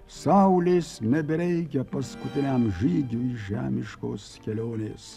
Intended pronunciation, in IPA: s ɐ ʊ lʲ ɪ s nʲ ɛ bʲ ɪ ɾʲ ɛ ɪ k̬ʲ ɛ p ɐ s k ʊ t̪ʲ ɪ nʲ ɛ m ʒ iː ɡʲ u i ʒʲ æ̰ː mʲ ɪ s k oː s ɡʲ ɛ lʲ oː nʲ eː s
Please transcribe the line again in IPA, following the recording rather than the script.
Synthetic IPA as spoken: s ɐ ʊ lʲ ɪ s nʲ ɛ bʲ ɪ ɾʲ ɛ ɪ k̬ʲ ɛ p ɐ s k ʊ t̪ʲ ɪ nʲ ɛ m ʒ iː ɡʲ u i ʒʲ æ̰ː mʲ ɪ ʃ k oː s kʲ ɛ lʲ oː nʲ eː s